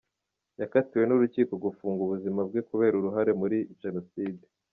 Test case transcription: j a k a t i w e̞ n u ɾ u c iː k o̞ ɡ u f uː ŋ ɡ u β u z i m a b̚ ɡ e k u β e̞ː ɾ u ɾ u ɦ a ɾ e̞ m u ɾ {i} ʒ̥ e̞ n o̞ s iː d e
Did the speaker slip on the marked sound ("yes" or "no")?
no